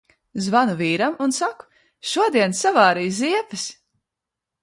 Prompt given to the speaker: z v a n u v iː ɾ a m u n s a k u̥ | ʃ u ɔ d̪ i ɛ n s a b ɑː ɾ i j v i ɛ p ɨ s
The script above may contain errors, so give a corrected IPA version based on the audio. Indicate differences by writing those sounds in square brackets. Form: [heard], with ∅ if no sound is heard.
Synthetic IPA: z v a n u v iː ɾ a m u n s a k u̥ | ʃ u ɔ d̪ i ɛ n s a [v] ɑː ɾ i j [z] i ɛ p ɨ s